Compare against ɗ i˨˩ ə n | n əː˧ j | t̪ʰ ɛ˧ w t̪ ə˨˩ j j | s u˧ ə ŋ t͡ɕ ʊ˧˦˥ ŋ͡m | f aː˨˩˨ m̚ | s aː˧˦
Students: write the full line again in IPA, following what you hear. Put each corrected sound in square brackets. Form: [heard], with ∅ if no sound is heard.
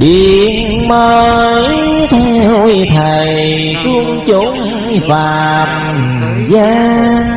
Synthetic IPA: ɗ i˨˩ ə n | [m] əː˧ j | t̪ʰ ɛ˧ w [t̪ʰ] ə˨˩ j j | s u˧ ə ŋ t͡ɕ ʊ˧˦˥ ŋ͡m | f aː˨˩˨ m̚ | [z] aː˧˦